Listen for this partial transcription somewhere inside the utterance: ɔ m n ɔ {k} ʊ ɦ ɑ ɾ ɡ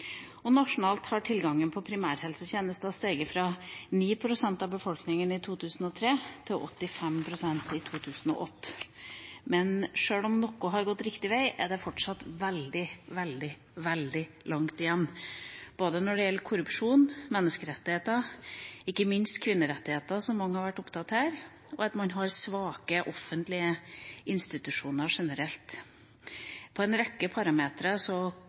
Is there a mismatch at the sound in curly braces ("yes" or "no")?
no